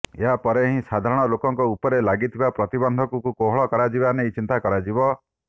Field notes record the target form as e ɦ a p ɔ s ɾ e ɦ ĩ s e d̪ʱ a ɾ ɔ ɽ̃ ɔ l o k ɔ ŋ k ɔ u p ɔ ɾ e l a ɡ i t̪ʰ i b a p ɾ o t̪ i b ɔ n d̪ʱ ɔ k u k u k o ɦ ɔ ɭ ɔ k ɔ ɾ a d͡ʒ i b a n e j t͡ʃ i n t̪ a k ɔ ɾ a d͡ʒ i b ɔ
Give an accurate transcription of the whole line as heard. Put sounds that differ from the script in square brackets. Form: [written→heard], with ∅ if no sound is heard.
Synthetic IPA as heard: e ɦ a p ɔ [s→∅] ɾ e ɦ ĩ s [e→a] d̪ʱ a ɾ ɔ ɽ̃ ɔ l o k ɔ ŋ k ɔ u p ɔ ɾ e l a ɡ i t̪ʰ i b a p ɾ [o→ɔ] t̪ i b ɔ n d̪ʱ ɔ k u k u k o ɦ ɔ ɭ ɔ k ɔ ɾ a d͡ʒ i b a n e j t͡ʃ i n t̪ a k ɔ ɾ a d͡ʒ i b ɔ

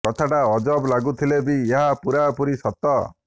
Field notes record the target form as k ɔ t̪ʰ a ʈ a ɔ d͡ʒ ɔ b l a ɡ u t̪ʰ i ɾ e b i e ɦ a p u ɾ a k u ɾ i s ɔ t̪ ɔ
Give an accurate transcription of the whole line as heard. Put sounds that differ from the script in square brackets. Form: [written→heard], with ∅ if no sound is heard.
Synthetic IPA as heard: k ɔ t̪ʰ a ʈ a ɔ d͡ʒ ɔ b l a ɡ u t̪ʰ i [ɾ→l] e b i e ɦ a p u ɾ a [k→p] u ɾ i s ɔ t̪ ɔ

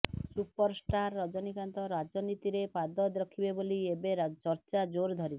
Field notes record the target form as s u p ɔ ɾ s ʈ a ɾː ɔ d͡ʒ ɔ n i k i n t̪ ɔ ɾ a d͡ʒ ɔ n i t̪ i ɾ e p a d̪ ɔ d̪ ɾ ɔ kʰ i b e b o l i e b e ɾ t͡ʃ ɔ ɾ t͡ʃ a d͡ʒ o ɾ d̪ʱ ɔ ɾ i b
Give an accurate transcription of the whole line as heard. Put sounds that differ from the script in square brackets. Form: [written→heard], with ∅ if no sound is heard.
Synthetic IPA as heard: s u p ɔ ɾ s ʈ a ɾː ɔ d͡ʒ ɔ n i k [i→a] n t̪ ɔ ɾ a d͡ʒ ɔ n i t̪ i ɾ e p a d̪ ɔ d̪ ɾ ɔ kʰ i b e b o l i e b e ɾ t͡ʃ ɔ ɾ t͡ʃ a d͡ʒ o ɾ d̪ʱ ɔ ɾ i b

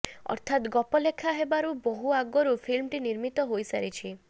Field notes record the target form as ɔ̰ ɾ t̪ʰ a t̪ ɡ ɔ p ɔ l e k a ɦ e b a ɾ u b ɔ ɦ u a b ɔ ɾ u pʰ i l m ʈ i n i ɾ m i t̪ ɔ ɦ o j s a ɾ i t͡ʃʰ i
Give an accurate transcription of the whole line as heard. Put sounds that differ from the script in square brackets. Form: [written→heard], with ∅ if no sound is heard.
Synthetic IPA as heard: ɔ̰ ɾ t̪ʰ a t̪ ɡ ɔ p ɔ l e [k→kʰ] a ɦ e b a ɾ u b ɔ ɦ u a [b→ɡ] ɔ ɾ u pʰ i l m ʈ i n i ɾ m i t̪ ɔ ɦ o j s a ɾ i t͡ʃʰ i

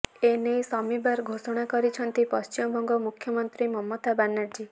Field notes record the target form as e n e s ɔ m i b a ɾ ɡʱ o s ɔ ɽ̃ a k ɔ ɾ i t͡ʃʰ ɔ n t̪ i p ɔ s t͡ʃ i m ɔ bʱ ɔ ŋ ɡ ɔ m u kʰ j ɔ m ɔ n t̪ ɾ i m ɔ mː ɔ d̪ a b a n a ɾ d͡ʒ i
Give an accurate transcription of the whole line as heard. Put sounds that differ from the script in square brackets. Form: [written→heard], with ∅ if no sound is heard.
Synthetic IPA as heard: e n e s ɔ m i b a ɾ ɡʱ o s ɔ ɽ̃ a k ɔ ɾ i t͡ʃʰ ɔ n t̪ i p ɔ s t͡ʃ i m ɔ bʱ ɔ ŋ ɡ ɔ m u kʰ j ɔ m ɔ n t̪ ɾ i m ɔ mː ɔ [d̪→t̪] a b a n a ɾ d͡ʒ i

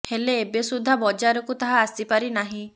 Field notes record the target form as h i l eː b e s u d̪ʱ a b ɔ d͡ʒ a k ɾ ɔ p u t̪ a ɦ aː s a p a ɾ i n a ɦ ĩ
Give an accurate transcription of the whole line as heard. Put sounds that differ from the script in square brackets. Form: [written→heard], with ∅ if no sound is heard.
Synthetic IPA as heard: h [i→e] l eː b e s u d̪ʱ a b ɔ d͡ʒ a [k→∅] ɾ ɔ [p→k] u t̪ a ɦ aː s [a→i] p a ɾ i n a ɦ ĩ

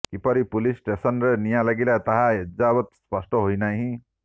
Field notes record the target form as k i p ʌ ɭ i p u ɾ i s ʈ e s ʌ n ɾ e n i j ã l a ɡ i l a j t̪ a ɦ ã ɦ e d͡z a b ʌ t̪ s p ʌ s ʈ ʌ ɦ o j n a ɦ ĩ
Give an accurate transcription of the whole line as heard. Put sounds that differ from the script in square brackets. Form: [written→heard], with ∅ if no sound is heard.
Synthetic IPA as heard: k i p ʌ [ɭ→ɾ] i p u [ɾ→l] i s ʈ e s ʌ n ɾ e n i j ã l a ɡ i l a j t̪ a ɦ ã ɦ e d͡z a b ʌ t̪ s p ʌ s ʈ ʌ ɦ o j n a ɦ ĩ

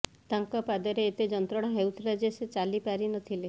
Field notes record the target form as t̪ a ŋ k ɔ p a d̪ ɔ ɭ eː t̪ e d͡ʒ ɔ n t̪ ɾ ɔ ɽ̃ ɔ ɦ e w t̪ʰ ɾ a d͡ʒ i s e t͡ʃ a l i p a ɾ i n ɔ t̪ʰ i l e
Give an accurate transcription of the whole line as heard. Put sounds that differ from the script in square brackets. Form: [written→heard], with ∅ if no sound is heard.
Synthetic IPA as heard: t̪ a ŋ k ɔ p a d̪ ɔ [ɭ→ɾ] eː t̪ e d͡ʒ ɔ n t̪ ɾ ɔ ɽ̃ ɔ ɦ e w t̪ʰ ɾ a d͡ʒ [i→e] s e t͡ʃ a l i p a ɾ i n ɔ t̪ʰ i l e

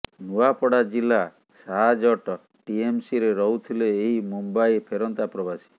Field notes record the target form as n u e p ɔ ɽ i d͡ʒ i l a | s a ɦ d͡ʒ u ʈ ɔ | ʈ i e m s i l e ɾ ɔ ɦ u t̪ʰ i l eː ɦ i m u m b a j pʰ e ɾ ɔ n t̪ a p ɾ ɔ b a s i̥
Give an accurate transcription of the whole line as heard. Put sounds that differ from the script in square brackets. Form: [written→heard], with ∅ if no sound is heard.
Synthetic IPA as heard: n u [e→a] p ɔ ɽ [i→a] d͡ʒ i l a | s a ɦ d͡ʒ [u→ɔ] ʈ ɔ | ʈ i e m s i [l→ɾ] e ɾ ɔ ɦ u t̪ʰ i l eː ɦ i m u m b a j pʰ e ɾ ɔ n t̪ a p ɾ ɔ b a s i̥

